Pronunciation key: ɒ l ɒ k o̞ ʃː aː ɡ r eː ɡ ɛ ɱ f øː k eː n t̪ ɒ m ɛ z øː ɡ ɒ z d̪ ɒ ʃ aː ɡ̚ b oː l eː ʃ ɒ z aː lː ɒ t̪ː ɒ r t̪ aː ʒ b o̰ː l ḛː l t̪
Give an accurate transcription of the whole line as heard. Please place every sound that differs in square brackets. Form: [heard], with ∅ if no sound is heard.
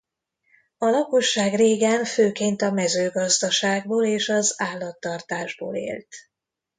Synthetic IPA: ɒ l ɒ k o̞ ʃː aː ɡ r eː ɡ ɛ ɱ f øː k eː n t̪ ɒ m ɛ z øː ɡ ɒ z d̪ ɒ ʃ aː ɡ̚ b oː l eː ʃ ɒ z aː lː ɒ t̪ː ɒ r t̪ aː ʒ b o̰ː l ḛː l t̪